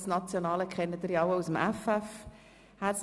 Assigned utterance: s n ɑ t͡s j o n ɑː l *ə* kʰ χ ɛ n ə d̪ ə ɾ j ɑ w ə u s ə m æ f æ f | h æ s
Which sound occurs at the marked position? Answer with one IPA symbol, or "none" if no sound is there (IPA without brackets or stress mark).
ə